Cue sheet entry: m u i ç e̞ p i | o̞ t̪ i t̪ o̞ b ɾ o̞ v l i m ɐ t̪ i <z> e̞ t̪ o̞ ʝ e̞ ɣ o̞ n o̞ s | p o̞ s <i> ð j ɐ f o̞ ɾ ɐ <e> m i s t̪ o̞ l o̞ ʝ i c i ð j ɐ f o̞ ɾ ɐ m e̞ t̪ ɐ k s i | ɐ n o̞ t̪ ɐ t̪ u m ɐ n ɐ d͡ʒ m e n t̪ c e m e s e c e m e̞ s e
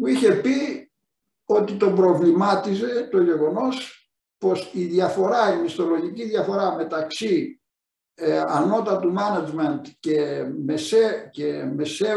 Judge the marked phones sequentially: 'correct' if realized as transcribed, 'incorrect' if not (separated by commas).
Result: correct, correct, incorrect